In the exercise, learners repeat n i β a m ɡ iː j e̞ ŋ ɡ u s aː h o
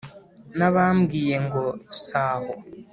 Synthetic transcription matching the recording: n a β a m ɡ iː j e̞ ŋ ɡ o s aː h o